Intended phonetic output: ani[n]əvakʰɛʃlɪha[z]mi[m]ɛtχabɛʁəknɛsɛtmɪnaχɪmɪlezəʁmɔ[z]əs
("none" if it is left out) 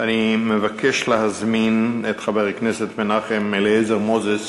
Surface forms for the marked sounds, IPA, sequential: m, z, n, z

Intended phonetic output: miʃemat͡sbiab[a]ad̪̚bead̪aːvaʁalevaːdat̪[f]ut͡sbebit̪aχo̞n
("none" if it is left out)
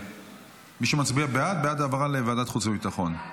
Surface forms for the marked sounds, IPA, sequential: e, χ

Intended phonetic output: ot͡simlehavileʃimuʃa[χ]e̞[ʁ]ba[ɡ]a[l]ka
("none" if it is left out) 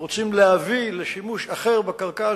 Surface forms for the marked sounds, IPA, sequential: χ, ʁ, k, l

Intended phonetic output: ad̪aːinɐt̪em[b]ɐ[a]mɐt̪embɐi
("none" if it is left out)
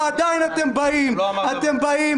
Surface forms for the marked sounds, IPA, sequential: b, i

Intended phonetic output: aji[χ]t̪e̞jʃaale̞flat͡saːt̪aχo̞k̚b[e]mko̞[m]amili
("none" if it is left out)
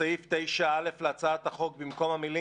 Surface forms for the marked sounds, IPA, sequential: f, i, m

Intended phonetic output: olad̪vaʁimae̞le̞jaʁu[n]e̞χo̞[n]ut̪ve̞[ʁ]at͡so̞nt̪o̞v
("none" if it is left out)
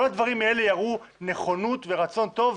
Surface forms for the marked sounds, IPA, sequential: n, n, ʁ

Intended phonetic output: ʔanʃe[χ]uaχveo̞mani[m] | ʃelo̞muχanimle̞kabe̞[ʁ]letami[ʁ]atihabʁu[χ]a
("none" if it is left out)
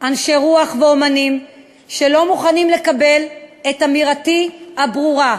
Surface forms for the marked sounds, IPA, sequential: ʁ, m, none, ʁ, ʁ

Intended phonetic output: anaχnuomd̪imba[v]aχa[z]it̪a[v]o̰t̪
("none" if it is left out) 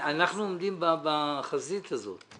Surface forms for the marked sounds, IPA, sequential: b, z, z

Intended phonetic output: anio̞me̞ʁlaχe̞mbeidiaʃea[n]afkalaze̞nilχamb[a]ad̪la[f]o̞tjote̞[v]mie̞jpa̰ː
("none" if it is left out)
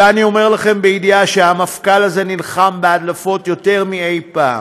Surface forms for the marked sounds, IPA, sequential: m, e, f, ʁ

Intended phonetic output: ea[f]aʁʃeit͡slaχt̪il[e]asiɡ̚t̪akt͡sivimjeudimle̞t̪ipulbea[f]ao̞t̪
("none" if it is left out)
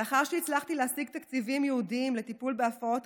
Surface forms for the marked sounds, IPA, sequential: χ, e, f

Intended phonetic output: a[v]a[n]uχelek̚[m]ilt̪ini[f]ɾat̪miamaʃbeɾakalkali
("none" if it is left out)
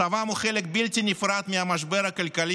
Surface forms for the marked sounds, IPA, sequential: v, m, b, f

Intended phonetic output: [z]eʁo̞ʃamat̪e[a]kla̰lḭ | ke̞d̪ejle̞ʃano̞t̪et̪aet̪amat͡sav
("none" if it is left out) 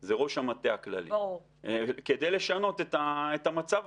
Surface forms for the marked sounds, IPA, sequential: z, a

